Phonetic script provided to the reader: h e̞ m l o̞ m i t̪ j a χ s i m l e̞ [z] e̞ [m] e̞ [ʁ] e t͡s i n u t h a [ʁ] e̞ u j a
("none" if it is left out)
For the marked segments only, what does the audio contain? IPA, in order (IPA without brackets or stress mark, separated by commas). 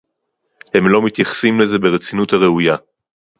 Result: z, b, ʁ, ʁ